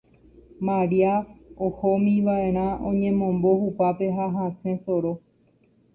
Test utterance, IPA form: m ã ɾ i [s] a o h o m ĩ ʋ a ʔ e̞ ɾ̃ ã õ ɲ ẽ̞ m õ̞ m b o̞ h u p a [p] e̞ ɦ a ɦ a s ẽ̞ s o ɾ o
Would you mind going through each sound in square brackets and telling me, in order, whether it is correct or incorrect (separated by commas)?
incorrect, correct